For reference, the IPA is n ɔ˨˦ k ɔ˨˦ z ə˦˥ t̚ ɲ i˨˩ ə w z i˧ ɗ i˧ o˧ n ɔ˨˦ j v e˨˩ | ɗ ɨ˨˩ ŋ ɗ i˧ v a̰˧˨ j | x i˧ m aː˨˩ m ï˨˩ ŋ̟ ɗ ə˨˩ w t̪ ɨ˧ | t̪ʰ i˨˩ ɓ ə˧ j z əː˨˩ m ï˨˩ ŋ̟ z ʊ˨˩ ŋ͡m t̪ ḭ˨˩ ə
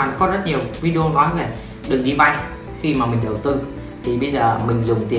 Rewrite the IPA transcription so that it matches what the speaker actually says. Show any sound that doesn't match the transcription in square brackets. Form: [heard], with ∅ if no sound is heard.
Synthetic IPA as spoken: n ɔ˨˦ k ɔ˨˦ z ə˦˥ t̚ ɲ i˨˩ ə w [v] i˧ ɗ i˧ o˧ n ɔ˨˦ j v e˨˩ | ɗ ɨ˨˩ ŋ ɗ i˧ v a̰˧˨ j | x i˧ m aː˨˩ m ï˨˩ ŋ̟ ɗ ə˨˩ w t̪ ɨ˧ | t̪ʰ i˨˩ ɓ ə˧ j z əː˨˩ m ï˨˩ ŋ̟ z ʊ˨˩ ŋ͡m t̪ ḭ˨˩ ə